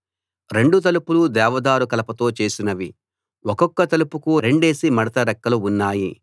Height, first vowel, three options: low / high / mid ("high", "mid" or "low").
mid